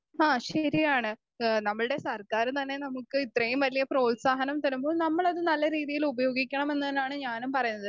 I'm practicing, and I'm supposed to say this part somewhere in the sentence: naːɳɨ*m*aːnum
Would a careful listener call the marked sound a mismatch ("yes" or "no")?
yes